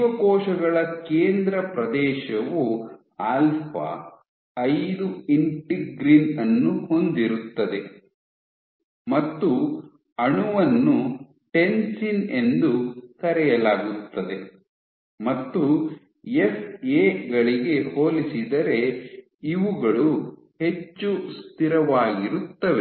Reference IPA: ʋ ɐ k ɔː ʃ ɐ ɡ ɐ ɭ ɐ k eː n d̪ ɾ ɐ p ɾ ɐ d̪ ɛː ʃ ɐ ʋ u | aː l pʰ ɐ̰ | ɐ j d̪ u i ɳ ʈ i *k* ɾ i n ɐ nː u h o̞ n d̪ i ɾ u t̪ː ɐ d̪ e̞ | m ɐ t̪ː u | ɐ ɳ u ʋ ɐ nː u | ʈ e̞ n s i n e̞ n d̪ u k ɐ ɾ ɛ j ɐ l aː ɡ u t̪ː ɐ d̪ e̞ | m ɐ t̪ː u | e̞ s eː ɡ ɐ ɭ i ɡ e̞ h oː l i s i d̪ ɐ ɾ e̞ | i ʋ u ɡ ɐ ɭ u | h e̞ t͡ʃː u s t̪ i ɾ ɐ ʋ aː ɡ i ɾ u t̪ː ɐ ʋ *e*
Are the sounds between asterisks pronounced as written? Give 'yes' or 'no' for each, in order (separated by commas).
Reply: no, yes